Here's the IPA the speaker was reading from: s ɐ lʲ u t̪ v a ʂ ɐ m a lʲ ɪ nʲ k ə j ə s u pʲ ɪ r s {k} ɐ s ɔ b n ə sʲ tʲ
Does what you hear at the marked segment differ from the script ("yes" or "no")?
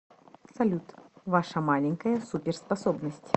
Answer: yes